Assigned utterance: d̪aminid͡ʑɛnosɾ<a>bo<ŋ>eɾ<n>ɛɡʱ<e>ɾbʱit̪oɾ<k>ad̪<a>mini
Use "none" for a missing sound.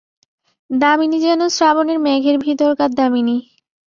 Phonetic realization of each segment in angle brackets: a, n, m, e, k, a

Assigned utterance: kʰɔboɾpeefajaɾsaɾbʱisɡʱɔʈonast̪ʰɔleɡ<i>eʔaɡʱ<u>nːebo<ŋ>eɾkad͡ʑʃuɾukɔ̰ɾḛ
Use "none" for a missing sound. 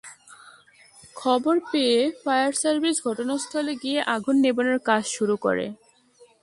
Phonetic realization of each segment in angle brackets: i, u, n

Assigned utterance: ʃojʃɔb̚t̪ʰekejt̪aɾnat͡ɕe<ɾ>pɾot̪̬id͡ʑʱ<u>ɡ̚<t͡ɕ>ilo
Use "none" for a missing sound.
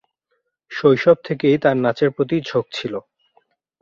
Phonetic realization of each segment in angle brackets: ɾ, o, t͡ɕʰ

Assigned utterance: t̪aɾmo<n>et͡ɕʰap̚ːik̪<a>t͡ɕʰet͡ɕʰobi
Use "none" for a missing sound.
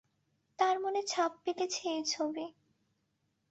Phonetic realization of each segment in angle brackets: n, e

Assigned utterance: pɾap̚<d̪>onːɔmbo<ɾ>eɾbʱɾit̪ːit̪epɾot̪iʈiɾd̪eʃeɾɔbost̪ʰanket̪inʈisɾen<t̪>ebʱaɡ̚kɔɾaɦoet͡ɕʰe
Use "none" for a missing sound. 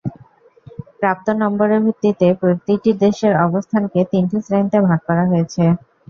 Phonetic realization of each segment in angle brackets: t̪, ɾ, t̪

